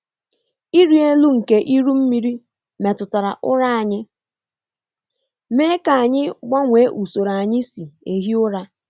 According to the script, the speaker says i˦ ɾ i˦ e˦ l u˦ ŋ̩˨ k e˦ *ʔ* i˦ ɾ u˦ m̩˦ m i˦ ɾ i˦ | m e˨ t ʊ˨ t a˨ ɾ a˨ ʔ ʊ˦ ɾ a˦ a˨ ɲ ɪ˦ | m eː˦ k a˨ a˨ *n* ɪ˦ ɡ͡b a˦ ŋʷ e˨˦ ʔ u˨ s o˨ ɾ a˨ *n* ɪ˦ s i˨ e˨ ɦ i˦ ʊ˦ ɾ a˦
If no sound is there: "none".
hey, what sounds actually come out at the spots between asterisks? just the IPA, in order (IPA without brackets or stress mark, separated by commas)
ʔ, ɲ, ɲ